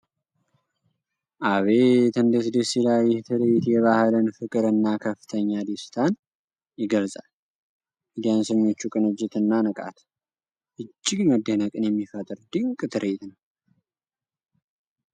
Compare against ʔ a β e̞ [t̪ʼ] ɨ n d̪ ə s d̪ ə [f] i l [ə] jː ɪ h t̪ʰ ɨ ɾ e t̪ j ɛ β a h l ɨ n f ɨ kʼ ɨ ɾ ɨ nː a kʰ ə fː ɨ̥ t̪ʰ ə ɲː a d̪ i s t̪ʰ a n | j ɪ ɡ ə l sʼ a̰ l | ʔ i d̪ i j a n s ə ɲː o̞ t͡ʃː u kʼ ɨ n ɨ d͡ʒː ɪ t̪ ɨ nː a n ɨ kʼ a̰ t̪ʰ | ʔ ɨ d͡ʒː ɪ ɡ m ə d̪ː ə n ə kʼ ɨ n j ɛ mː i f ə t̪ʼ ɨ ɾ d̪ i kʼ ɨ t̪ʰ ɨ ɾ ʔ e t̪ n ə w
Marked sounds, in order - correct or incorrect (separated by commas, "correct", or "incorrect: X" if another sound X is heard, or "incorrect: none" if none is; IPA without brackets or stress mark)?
incorrect: t̪, incorrect: s, incorrect: a